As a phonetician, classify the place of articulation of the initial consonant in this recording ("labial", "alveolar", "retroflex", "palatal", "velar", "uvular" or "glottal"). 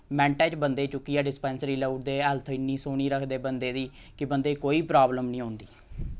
labial